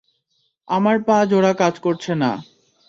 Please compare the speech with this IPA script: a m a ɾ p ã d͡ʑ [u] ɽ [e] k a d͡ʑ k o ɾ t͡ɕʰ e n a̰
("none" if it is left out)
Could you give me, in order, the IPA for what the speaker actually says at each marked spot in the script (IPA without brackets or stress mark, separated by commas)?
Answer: o, a